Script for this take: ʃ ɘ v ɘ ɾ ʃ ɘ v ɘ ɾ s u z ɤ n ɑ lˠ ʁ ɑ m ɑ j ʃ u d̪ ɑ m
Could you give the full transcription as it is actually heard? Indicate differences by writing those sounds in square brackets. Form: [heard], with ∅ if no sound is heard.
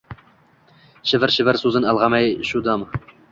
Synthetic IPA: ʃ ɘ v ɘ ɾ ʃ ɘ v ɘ ɾ s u z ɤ n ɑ lˠ ʁ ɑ m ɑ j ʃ u d̪ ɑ m